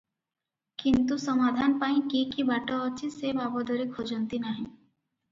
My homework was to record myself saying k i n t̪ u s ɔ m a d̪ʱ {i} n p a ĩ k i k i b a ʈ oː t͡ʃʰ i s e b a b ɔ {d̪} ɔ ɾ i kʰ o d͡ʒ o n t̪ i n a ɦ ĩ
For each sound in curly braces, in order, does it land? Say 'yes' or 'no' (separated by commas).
no, yes